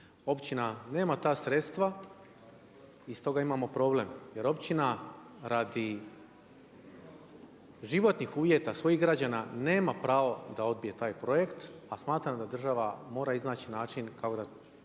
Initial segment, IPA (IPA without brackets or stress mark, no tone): o̞